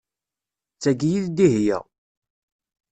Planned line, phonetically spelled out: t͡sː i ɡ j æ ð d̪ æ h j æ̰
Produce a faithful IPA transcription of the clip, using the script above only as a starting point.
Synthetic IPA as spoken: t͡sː æ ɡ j i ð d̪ i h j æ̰

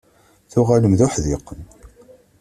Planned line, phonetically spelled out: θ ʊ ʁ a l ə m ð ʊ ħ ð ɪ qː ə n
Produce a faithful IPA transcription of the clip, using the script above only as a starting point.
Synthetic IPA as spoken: θ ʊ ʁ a l ə m ð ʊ ħ ð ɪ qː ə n

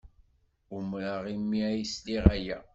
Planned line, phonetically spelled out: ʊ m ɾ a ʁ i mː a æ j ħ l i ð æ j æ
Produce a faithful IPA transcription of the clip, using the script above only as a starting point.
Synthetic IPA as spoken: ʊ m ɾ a ʁ i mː i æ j s l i ʁ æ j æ

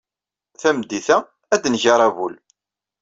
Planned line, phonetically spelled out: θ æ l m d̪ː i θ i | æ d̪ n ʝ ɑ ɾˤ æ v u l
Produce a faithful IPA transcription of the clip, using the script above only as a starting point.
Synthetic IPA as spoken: θ æ m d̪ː i θ æ | æ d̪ n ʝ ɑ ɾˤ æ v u l

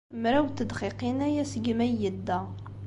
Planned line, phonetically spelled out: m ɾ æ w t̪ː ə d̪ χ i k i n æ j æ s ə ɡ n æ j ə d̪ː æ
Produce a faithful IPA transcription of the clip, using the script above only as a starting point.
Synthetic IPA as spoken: m ɾ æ w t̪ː ə d̪ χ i q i n æ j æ s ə ɡ m æ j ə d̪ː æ

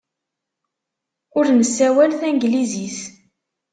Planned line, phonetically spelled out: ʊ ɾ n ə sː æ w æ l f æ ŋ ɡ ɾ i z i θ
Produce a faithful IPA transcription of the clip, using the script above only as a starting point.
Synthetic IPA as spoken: ʊ ɾ n ə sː æ w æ l θ æ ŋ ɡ l i z i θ

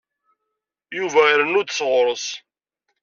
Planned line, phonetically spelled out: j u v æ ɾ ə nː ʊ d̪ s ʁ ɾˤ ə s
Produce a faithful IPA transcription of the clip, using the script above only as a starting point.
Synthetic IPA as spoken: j u v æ ɾ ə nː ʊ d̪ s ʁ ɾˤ ə s

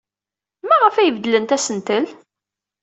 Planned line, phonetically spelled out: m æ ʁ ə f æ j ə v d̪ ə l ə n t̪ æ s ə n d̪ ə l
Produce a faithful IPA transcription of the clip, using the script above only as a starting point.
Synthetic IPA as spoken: m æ ʁ ə f æ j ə v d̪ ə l ə n t̪ æ s ə n t̪ ə l

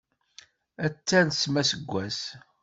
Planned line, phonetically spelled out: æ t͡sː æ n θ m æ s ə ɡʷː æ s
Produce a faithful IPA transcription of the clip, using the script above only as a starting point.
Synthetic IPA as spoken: æ t͡sː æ n s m æ s ə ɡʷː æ s

